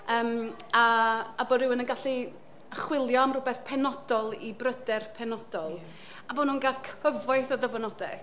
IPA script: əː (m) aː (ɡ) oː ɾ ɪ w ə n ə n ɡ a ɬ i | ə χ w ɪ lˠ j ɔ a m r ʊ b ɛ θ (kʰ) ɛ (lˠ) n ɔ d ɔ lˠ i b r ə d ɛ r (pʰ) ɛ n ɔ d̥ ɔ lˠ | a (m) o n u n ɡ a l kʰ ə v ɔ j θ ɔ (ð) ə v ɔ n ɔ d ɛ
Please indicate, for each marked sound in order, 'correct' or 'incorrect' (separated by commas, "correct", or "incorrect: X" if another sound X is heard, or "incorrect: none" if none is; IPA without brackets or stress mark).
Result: correct, incorrect: b, incorrect: pʰ, incorrect: none, correct, incorrect: b, correct